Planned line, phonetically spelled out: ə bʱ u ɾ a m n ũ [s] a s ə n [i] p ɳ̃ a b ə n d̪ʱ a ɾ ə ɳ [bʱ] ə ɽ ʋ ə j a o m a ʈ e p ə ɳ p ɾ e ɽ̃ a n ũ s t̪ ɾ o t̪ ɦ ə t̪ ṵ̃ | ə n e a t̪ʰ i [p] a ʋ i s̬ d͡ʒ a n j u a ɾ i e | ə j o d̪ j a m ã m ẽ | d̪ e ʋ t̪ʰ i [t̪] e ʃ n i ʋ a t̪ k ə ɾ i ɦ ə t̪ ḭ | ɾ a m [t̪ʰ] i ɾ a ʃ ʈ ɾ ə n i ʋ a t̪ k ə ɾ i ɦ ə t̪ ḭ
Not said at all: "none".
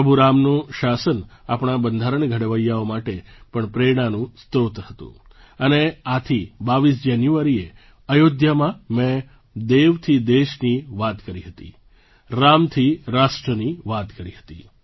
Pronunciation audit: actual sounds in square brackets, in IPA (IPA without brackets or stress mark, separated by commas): ʃ, a, ɡʱ, b, d̪, t̪ʰ